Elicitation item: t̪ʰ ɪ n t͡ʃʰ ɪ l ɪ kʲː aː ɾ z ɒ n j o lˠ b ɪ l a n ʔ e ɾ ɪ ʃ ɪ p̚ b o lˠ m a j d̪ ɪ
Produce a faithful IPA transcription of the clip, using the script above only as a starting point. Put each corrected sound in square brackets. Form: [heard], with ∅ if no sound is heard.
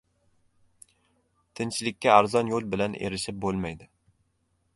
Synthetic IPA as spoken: t̪ʰ ɪ n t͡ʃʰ ɪ l ɪ kʲː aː ɾ z ɒ n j o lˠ b ɪ l a n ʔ e ɾ ɪ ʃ ɪ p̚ b o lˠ m a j d̪ ɪ